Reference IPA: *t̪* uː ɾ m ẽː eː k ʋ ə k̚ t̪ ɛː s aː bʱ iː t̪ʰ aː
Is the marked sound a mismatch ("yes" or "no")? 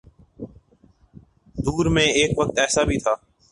yes